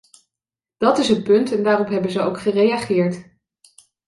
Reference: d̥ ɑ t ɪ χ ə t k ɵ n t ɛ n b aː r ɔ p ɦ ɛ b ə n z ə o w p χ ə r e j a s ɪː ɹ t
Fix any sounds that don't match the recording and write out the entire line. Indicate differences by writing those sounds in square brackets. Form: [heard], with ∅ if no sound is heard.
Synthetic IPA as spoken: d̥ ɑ t ɪ [s] ə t [p] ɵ n t ɛ n [d] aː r ɔ p ɦ ɛ b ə n z ə o w [k] χ ə r e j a [χ] ɪː ɹ t